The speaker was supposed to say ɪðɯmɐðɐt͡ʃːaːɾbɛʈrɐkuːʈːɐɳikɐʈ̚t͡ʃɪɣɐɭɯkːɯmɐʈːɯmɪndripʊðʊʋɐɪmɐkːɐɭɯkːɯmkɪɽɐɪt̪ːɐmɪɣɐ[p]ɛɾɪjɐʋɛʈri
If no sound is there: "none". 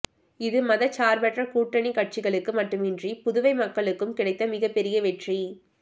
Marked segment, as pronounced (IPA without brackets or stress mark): p